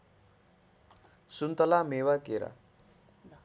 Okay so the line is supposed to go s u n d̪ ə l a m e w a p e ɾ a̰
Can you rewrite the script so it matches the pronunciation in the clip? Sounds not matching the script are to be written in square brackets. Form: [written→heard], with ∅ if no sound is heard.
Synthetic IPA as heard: s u n [d̪→t̪] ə l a m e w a [p→k] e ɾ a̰